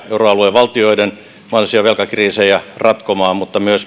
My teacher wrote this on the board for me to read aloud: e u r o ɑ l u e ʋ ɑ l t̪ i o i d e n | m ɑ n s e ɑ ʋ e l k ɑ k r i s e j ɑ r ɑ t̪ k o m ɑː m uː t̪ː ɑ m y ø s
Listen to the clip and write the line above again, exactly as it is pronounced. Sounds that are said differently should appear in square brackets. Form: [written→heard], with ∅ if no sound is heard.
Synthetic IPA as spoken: e u r o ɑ l u e ʋ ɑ l t̪ i o i d e n | m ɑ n s [e→i] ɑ ʋ e l k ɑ k r [i→iː] s e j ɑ r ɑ t̪ k o m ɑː m [uː→u] t̪ː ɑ m y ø s